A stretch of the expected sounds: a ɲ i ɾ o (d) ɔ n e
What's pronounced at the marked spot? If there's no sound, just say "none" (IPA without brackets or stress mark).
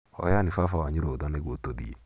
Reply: d